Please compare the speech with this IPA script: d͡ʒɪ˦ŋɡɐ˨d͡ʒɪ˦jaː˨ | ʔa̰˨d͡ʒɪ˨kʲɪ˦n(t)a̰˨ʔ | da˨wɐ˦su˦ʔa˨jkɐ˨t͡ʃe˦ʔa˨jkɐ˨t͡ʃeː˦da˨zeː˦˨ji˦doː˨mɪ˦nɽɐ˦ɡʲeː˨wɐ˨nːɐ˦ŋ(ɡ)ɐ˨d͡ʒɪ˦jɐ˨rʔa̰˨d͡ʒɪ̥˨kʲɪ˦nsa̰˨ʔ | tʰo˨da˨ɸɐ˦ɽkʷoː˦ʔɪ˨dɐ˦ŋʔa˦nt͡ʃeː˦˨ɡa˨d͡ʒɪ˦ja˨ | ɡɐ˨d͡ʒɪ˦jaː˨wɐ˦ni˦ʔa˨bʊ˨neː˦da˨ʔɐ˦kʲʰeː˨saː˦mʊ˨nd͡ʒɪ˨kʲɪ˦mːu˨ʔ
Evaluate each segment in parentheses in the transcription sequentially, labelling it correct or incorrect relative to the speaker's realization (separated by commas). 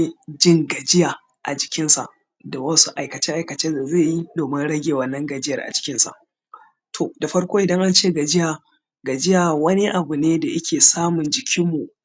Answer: incorrect, correct